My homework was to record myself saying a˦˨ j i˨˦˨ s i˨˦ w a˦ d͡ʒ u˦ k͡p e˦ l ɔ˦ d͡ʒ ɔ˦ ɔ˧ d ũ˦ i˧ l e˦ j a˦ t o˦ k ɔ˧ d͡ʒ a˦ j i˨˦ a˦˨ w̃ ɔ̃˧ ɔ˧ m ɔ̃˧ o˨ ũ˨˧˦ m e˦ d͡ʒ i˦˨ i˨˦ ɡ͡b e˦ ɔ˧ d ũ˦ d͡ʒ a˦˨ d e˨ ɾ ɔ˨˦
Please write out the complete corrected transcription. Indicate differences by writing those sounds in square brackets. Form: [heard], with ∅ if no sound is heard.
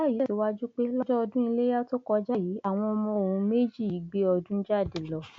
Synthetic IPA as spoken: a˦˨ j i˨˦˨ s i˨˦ w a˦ d͡ʒ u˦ k͡p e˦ l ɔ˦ d͡ʒ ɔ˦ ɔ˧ d ũ˦ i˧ l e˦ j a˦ t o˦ k ɔ˧ d͡ʒ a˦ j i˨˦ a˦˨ w̃ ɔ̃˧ ɔ˧ m ɔ̃˧ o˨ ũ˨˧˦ m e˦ d͡ʒ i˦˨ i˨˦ ɡ͡b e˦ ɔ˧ d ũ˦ d͡ʒ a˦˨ d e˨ [l] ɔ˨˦